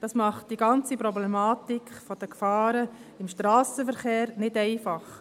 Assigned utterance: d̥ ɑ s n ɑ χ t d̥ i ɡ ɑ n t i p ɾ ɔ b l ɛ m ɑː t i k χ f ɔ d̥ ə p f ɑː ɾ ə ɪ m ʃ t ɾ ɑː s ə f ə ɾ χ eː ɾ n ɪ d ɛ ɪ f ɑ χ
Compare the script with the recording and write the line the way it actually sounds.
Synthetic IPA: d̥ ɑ s m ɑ χ t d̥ i ɡ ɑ n t͡s i p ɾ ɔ b l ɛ m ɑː t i k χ f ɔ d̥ ə k f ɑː ɾ ə ɪ m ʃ t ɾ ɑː s ə f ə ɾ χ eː ɾ n ɪ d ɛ ɪ f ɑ χ

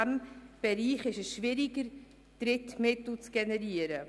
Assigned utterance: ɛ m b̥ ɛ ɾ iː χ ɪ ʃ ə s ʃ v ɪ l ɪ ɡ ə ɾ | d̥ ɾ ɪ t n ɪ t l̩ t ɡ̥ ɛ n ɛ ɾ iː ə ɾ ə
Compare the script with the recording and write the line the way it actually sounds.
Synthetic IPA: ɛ m b̥ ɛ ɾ iː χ ɪ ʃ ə s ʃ v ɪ ɾ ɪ ɡ ə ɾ | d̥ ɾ ɪ t m ɪ t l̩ t͡s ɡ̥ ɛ n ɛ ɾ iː ə ɾ ə

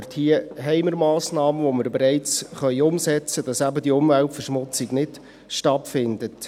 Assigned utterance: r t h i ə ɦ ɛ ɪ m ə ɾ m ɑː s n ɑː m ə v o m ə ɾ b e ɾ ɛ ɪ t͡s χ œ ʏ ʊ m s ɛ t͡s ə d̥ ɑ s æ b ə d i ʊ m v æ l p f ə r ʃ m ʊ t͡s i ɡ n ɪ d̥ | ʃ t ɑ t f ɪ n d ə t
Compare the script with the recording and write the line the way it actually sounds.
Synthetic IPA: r t h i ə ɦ ɛ ɪ m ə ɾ m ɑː s n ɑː m ə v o m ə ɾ b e ɾ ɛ ɪ t͡s χ œ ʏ ʊ m s ɛ t͡s ə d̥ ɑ s æ b ə d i ʊ m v æ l t f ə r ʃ m ʊ t͡s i ɡ n ɪ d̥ | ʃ t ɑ t f ɪ n d ə t

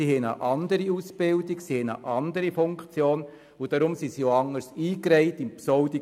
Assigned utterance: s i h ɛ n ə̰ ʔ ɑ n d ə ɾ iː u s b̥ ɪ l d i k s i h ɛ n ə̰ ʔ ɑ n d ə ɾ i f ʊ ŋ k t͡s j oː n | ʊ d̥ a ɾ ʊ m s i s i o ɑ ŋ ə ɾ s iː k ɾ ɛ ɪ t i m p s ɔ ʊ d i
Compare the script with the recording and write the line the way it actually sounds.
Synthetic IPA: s i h ɛ n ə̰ ʔ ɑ n d ə ɾ i u s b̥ ɪ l d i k s i h ɛ n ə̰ ʔ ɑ n d ə ɾ i f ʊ ŋ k t͡s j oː n | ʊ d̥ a ɾ ʊ m s i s i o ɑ ŋ ə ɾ s iː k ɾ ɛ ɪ t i m p s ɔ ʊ d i

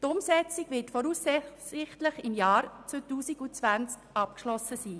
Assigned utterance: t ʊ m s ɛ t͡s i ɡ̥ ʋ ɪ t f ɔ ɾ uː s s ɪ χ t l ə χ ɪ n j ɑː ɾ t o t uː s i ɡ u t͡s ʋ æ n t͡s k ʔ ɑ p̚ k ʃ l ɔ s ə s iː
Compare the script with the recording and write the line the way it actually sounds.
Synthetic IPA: t ʊ m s ɛ t͡s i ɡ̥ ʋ ɪ t f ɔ ɾ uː s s ɪ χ t l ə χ ɪ m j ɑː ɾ t͡s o t uː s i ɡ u t͡s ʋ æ n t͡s k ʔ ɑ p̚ k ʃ l ɔ s ə s iː

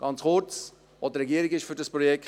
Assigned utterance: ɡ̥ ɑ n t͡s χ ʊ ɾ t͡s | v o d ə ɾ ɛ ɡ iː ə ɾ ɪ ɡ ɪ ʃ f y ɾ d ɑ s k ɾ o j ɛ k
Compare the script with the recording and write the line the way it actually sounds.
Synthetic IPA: ɡ̥ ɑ n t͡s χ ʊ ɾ t͡s | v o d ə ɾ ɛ ɡ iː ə ɾ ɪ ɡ ɪ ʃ f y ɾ d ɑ s p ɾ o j ɛ k

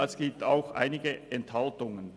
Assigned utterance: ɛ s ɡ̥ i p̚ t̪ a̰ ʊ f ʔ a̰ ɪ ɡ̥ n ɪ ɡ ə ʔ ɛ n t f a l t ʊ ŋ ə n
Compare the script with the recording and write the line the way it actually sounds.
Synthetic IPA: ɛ s ɡ̥ iː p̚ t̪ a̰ ʊ x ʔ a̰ ɪ n ɪ ɡ ə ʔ ɛ n t h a l t ʊ ŋ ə n

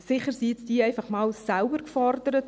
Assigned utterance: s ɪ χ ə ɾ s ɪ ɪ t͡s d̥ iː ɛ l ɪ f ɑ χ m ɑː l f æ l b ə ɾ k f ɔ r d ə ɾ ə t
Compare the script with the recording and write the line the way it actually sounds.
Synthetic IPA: s ɪ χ ə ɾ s i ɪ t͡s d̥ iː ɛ ɪ f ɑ χ m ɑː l s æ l b ə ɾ k f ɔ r d ə ɾ ə t

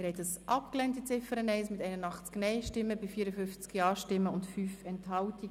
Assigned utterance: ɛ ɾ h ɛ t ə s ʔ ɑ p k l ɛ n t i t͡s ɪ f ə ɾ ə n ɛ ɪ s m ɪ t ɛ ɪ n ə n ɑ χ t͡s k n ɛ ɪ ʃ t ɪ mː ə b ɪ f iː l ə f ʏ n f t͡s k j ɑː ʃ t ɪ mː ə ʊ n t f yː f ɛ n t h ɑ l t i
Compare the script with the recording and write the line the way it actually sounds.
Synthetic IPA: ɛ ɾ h ɛ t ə s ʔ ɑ p k l ɛ n t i t͡s ɪ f ə ɾ ə n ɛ ɪ s m ɪ t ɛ ɪ n ə n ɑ χ t͡s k n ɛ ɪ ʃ t ɪ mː ə b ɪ f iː ɾ ə f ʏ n f t͡s k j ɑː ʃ t ɪ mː ə ʊ n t f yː f ɛ n t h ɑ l t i

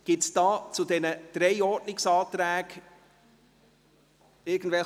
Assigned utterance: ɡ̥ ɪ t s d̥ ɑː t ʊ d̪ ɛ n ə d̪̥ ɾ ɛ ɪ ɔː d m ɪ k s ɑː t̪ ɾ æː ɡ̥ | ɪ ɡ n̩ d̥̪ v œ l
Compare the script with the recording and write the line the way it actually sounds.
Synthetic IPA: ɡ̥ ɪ t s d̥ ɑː t͡s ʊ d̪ ɛ n ə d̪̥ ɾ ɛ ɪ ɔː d n ɪ k s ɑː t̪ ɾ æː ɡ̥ | ɪ ɡ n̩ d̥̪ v ɛ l

